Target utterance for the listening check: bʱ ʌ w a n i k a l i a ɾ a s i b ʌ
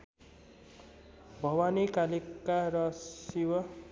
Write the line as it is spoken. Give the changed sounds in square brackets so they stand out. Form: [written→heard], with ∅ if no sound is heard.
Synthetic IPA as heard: bʱ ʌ w a n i k a l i a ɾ [a→ʌ] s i [b→w] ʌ